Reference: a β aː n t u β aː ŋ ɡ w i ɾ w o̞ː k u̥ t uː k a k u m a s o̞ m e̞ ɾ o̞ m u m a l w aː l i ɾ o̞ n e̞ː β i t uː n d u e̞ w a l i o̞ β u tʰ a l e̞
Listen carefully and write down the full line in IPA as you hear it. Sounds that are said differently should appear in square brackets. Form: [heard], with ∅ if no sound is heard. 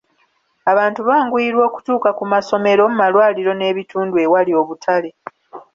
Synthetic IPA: a β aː n t u β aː ŋ ɡ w i ɾ w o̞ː k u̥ t uː k a k u m a s o̞ m e̞ ɾ o̞ m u m a l w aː l i ɾ o̞ n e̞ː β i t uː n d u e̞ w a l i o̞ β u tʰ a l e̞